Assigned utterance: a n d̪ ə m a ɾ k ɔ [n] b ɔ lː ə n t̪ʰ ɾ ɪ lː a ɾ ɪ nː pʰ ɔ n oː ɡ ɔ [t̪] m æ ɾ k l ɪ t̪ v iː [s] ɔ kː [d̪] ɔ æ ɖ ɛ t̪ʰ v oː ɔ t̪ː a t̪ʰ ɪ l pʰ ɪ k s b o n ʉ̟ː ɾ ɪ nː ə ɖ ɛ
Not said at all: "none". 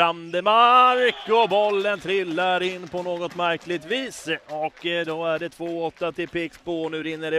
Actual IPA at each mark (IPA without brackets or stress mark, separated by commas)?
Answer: none, t̪, s, d̪